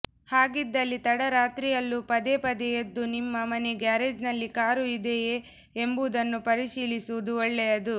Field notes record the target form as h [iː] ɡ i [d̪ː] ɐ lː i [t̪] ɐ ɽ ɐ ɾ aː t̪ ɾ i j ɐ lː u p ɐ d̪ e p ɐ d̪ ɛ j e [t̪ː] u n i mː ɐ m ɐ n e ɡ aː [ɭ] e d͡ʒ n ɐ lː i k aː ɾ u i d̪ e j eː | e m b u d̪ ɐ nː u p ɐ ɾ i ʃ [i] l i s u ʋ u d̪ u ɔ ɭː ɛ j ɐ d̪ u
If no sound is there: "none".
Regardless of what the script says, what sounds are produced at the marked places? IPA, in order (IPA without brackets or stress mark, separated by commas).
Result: aː, d̪ː, t̪, d̪ː, ɾ, iː